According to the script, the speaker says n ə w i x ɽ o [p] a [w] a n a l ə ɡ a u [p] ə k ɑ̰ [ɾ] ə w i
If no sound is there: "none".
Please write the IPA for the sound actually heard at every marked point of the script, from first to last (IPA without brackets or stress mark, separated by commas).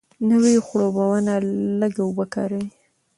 b, w, b, ɾ